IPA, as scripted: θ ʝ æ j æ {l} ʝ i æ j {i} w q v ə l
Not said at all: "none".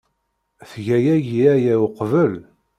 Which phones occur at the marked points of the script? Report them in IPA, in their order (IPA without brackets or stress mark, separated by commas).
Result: none, æ